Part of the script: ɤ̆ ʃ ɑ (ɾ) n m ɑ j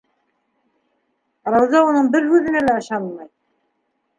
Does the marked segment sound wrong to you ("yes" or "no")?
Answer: yes